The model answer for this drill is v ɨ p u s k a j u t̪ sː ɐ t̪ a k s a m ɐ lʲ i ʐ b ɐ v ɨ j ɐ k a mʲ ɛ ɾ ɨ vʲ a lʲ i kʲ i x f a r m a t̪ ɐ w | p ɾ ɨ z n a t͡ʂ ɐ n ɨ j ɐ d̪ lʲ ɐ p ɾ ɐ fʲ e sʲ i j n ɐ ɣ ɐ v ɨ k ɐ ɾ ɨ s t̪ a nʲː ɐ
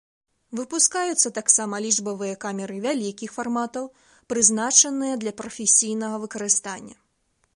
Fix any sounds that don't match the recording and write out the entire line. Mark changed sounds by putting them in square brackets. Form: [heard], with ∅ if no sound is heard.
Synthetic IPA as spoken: v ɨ p u s k a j u t̪ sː ɐ t̪ a k s a m ɐ lʲ i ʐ b ɐ v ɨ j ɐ k a mʲ ɛ ɾ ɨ vʲ a lʲ i kʲ i x f a r m a t̪ ɐ w | p ɾ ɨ z n a t͡ʂ ɐ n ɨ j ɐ d̪ lʲ ɐ p ɾ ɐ fʲ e sʲ i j n ɐ ɣ ɐ v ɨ k ɐ ɾ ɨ s t̪ a nʲː ɐ